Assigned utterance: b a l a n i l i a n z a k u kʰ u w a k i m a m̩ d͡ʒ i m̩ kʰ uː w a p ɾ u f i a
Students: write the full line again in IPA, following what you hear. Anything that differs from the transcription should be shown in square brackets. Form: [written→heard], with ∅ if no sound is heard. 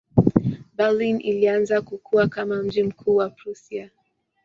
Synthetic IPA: b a l [a→i] n i l i a n z a k u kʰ u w a k [i→a] m a m̩ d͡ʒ i m̩ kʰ uː w a p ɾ u [f→s] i a

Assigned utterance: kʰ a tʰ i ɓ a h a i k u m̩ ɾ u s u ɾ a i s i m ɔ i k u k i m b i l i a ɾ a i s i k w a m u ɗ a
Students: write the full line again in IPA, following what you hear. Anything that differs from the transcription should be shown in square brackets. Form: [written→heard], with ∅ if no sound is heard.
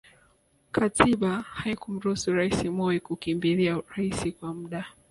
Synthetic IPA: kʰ a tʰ i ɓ a h a i k u m̩ ɾ u s u ɾ a i s i m ɔ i k u k i m b i l i a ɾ a i s i k w a m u ɗ a

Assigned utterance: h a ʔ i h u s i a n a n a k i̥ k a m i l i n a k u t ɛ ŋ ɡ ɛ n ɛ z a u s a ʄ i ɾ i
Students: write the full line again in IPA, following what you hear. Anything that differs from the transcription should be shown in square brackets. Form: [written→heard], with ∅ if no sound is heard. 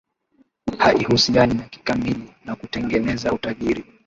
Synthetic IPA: h a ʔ i h u s i a n [a→i] n a k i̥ k a m i l i n a k u t ɛ ŋ ɡ ɛ n ɛ z a u [s→t] a ʄ i ɾ i

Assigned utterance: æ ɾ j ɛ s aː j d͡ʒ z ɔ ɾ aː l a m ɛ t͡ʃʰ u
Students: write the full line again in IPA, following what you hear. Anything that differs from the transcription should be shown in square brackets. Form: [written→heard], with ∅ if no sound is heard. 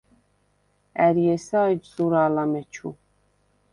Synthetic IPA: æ ɾ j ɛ s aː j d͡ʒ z [ɔ→u] ɾ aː l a m ɛ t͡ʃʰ u

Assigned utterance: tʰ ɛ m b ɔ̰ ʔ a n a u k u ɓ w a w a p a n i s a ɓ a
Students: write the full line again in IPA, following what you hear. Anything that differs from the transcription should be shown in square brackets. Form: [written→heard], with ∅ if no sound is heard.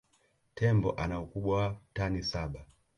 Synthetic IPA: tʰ ɛ m b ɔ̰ ʔ a n a u k u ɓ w a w a [p→t] a n i s a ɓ a

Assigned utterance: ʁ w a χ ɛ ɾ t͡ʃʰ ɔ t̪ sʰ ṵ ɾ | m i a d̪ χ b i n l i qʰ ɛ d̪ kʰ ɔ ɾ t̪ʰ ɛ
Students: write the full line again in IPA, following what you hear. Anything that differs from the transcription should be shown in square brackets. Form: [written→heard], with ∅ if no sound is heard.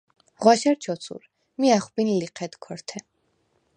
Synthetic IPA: ʁ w a [χ→ʃ] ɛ ɾ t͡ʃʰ ɔ t̪ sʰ ṵ ɾ | m i a [d̪→∅] χ b i n l i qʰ ɛ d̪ kʰ ɔ ɾ t̪ʰ ɛ

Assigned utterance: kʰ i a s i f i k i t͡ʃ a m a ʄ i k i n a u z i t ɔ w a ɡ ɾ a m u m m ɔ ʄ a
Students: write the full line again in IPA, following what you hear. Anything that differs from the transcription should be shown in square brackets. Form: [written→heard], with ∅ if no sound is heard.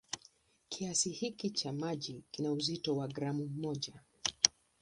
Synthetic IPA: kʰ i a s i [f→h] i k i t͡ʃ a m a ʄ i k i n a u z i t ɔ w a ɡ ɾ a m u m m ɔ ʄ a

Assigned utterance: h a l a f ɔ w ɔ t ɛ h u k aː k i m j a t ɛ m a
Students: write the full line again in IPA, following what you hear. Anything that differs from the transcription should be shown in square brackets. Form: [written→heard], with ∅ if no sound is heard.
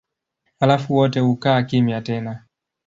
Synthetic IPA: h a l a f [ɔ→u] w ɔ t ɛ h u k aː k i m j a t ɛ [m→n] a

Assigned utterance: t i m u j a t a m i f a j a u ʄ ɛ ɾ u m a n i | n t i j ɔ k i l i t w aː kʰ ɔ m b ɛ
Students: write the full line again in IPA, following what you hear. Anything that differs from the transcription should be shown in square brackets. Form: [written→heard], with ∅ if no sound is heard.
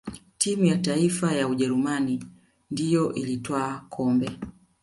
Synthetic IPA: t i m u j a t a [m→∅] i f a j a u ʄ ɛ ɾ u m a n i | n [t→d] i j ɔ [k→ʔ] i l i t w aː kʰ ɔ m b ɛ

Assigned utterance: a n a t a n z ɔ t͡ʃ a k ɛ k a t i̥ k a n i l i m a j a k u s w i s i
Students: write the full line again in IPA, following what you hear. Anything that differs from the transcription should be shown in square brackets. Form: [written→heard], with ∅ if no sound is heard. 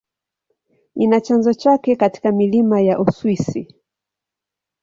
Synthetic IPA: [a→i] n a [t→t͡ʃ] a n z ɔ t͡ʃ a k ɛ k a t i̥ k a [n→m] i l i m a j a [k→ʔ] u s w i s i

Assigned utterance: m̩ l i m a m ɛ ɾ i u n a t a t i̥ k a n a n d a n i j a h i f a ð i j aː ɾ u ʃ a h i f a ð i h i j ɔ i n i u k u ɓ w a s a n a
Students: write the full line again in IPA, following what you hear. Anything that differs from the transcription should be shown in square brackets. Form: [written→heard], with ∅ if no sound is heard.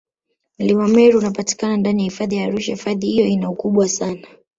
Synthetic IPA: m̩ l i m a m ɛ ɾ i u n a [t→p] a t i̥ k a n a n d a n i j a h i f a ð i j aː ɾ u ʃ a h i f a ð i h i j ɔ i n [i→a] u k u ɓ w a s a n a

